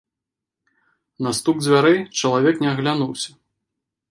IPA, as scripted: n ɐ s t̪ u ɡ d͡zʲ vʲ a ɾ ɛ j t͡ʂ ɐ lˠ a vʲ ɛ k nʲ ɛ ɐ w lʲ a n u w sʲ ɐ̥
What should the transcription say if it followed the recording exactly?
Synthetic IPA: n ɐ s t̪ u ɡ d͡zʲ vʲ a ɾ ɛ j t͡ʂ ɐ lˠ a vʲ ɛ k nʲ ɛ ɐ ɣ lʲ a n u w sʲ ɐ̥